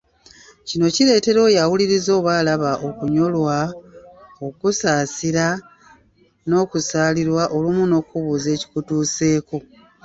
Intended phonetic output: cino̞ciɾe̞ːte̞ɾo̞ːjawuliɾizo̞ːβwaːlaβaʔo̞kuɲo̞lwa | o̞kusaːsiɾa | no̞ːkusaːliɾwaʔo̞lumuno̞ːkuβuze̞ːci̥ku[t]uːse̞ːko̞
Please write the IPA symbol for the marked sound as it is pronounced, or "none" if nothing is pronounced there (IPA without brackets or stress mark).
t